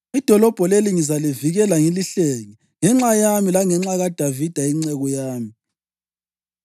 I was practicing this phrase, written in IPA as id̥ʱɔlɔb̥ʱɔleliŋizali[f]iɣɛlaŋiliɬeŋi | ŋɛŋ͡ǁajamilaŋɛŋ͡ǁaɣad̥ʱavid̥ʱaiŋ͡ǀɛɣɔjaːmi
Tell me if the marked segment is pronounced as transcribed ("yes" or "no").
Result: no